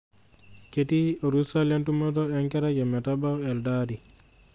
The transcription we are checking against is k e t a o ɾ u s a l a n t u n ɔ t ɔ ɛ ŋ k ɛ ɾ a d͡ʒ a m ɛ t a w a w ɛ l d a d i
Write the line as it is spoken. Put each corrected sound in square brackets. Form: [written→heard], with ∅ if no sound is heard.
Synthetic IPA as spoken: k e t [a→i] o ɾ u s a l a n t u [n→m] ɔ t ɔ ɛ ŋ k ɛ ɾ a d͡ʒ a m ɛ t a [w→b] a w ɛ l d a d i